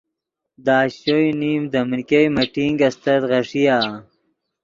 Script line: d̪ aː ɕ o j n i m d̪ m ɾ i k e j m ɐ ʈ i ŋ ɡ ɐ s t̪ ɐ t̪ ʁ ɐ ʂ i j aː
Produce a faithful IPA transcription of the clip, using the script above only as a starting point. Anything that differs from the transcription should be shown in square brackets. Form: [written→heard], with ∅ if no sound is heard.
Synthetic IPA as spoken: d̪ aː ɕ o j n i m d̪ m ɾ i k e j m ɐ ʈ i ŋ ɡ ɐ s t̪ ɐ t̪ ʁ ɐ ʂ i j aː